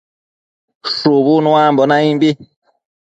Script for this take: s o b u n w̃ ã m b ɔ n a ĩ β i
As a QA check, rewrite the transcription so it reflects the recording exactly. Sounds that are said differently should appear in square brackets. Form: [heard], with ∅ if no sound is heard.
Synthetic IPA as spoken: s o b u n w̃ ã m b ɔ n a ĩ [b] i